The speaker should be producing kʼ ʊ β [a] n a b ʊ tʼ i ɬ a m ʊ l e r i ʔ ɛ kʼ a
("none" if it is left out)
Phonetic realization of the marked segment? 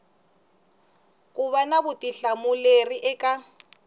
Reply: a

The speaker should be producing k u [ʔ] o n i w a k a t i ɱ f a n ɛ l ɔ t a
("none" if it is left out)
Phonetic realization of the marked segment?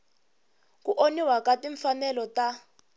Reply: ʔ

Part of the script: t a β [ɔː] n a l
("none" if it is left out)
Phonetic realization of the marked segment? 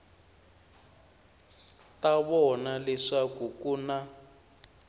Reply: ɔ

